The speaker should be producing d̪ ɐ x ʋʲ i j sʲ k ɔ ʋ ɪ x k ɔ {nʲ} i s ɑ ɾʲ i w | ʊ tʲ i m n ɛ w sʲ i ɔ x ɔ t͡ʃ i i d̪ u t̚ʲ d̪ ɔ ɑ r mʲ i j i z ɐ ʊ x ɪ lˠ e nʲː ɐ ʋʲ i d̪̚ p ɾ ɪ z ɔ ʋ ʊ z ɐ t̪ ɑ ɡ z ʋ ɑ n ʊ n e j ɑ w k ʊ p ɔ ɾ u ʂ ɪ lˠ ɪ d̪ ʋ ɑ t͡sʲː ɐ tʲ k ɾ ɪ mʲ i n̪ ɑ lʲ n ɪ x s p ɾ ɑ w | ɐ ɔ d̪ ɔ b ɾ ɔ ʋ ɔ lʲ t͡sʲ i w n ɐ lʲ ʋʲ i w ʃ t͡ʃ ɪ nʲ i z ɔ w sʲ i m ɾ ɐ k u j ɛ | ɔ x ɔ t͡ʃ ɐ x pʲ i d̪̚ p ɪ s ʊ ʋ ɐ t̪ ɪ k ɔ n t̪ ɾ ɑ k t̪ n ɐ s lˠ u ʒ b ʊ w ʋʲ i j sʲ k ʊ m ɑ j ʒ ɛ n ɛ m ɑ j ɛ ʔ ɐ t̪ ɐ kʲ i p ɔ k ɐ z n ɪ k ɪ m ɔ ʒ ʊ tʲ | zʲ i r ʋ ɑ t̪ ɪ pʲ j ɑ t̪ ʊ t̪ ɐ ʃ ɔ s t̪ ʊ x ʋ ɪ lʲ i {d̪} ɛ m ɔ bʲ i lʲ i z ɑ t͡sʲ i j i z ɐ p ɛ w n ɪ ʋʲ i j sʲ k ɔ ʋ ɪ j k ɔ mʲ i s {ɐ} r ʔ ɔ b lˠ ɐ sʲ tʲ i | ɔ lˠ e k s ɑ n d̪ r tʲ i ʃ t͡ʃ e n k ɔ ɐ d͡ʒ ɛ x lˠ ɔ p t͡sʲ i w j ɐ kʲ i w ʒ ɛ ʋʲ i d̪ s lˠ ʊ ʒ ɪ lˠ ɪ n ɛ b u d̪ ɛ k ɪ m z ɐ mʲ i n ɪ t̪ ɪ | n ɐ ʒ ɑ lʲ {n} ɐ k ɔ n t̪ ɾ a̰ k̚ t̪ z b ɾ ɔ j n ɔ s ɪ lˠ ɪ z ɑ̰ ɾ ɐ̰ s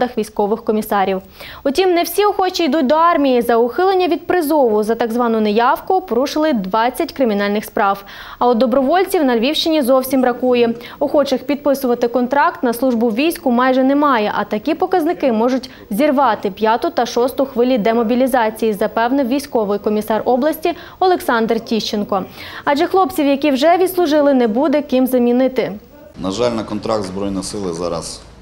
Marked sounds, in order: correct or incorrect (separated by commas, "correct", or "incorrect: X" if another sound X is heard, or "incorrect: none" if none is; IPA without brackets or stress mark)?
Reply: incorrect: mʲ, correct, incorrect: ɑ, correct